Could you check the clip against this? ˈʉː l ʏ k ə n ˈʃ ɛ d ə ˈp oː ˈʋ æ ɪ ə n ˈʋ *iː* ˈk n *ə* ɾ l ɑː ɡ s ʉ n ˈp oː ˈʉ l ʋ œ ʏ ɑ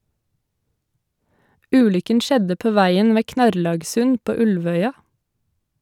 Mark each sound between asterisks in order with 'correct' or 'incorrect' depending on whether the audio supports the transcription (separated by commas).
incorrect, incorrect